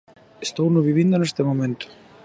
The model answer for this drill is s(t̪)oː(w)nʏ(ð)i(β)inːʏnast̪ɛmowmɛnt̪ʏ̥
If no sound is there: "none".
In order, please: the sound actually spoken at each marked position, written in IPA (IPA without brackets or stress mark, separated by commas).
t̪, w, v, v